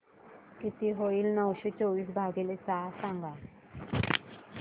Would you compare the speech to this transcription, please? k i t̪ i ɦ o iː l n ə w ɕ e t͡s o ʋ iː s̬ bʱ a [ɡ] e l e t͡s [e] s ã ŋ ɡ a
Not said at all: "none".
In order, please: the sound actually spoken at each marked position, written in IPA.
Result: ɡ, a

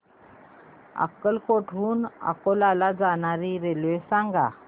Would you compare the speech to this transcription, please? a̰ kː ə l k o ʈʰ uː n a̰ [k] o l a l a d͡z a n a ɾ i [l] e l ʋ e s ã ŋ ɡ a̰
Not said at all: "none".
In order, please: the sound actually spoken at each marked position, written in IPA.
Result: k, ɾ

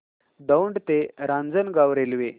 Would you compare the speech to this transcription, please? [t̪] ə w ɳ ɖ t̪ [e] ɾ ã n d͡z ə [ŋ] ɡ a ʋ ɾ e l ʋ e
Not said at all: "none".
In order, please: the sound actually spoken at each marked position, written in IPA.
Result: d̪, e, n

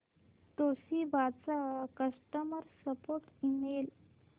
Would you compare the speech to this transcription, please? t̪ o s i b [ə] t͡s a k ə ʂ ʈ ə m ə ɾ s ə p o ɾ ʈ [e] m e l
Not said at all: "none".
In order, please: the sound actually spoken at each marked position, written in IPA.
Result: a, i

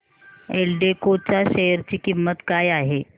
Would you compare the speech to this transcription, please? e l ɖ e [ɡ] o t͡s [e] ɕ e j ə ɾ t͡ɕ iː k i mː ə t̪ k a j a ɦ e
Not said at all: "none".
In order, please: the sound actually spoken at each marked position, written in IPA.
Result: k, a

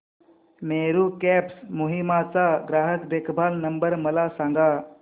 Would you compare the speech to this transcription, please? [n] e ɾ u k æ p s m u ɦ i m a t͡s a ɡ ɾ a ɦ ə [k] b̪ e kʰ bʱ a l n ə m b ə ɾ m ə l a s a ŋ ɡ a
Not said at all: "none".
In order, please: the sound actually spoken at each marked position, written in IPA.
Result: m, k

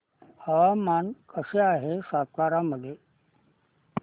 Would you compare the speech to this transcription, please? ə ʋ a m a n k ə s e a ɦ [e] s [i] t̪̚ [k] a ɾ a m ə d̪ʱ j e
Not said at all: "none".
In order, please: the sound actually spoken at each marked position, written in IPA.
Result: e, a, k

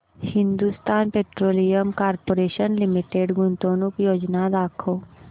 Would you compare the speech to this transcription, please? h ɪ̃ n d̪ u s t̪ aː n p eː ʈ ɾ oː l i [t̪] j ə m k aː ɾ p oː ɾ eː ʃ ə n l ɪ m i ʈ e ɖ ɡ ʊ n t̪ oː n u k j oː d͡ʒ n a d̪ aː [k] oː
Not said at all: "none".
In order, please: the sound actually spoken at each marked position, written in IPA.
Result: none, kʰ

